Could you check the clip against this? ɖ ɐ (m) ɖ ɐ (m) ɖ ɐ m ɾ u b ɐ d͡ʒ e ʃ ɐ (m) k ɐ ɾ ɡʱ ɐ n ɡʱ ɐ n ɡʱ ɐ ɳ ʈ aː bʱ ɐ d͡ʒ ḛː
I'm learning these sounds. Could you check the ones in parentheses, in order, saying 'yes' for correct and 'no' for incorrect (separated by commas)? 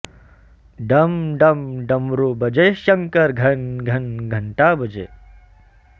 yes, yes, no